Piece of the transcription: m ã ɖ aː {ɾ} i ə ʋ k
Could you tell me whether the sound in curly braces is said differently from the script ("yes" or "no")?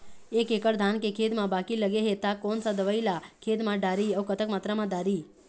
no